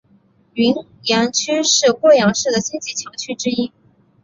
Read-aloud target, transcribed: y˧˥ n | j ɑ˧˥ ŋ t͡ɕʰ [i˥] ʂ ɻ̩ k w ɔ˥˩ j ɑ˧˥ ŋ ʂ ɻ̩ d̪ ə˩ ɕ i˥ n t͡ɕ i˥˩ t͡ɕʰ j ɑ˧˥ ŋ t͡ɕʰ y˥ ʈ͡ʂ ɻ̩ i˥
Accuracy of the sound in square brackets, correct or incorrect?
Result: incorrect